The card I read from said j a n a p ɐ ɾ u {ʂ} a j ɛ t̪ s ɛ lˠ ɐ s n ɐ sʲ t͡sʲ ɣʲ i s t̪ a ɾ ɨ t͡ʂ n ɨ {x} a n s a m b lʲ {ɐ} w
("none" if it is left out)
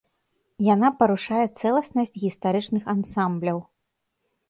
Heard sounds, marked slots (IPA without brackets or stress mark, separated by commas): ʂ, x, ɐ